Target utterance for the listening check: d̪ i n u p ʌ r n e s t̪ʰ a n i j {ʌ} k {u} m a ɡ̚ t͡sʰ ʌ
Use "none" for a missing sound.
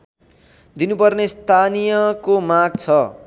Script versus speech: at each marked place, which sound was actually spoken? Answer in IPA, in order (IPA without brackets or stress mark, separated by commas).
ʌ, o